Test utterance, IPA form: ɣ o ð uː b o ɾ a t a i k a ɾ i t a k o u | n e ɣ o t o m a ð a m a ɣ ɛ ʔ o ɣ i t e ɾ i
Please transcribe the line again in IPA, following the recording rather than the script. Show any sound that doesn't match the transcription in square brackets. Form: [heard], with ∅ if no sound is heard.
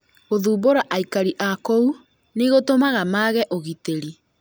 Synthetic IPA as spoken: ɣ o ð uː b o ɾ a [ʔ] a i k a ɾ i [ʔ] a k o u | n e ɣ o t o m a [ɣ] a m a ɣ ɛ ʔ o ɣ i t e ɾ i